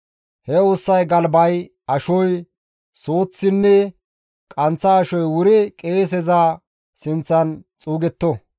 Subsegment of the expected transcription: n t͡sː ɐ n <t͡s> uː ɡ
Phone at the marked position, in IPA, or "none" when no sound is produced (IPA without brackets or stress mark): t͡sʼ